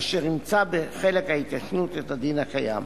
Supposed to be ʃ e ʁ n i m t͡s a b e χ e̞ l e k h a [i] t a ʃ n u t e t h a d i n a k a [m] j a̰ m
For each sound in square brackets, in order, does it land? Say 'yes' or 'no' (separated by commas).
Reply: yes, no